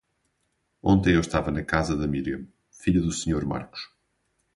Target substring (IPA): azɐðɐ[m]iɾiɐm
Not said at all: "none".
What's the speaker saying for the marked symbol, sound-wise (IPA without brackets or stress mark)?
m